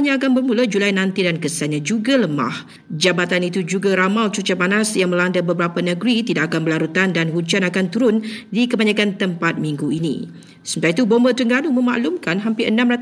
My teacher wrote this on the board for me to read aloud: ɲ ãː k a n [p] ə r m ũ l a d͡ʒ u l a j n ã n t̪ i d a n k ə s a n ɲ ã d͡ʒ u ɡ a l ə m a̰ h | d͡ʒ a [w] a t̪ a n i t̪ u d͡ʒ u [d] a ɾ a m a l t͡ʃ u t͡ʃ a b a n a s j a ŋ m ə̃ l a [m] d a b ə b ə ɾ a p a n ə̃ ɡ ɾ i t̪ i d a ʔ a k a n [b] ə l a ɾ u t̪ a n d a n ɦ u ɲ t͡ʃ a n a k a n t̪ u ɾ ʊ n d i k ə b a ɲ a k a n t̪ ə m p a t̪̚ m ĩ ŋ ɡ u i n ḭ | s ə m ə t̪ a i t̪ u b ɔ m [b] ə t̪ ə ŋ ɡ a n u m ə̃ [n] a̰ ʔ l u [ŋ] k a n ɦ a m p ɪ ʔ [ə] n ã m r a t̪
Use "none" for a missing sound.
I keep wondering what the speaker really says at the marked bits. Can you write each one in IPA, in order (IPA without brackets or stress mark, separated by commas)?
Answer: b, b, ɡ, n, b, b, m, m, ə